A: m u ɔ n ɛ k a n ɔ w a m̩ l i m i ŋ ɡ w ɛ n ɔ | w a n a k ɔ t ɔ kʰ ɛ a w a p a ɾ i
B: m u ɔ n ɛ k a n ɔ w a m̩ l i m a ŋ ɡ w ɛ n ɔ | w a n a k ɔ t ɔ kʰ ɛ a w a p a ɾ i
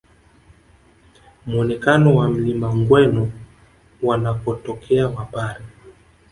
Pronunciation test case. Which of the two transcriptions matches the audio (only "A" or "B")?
B